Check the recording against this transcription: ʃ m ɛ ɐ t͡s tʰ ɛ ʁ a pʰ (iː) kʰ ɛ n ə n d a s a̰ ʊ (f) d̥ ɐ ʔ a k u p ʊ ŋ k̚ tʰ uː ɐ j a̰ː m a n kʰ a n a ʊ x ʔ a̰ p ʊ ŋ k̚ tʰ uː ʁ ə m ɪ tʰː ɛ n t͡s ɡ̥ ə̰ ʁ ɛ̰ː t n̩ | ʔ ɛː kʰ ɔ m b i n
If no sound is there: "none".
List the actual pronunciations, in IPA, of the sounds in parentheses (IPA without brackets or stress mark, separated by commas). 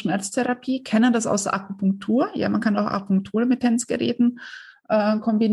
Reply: iː, s